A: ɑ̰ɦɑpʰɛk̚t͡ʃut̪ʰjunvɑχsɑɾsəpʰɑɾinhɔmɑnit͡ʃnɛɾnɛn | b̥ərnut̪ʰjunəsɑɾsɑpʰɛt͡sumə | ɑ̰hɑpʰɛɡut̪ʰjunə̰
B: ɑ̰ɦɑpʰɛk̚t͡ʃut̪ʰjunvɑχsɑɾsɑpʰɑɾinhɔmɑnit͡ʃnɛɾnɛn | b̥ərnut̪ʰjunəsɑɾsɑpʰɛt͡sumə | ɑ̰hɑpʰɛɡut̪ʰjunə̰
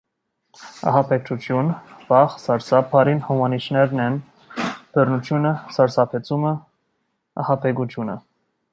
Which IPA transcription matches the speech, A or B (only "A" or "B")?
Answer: B